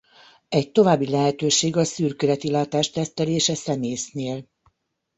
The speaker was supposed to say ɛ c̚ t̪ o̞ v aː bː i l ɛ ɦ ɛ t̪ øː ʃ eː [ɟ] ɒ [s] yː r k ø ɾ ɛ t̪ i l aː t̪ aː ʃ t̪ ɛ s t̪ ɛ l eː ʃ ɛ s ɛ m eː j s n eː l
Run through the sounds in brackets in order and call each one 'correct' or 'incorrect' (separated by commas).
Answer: incorrect, correct